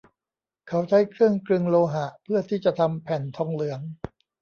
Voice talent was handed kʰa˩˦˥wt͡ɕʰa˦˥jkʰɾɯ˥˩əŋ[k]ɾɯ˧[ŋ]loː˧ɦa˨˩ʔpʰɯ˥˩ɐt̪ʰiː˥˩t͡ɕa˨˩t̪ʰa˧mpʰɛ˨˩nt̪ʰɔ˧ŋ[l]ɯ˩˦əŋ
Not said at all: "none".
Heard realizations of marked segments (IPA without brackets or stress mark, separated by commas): k, ŋ, l